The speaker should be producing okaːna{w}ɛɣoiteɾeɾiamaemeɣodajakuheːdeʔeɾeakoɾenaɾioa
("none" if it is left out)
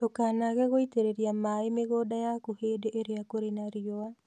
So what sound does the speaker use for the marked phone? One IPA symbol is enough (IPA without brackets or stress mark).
ɣ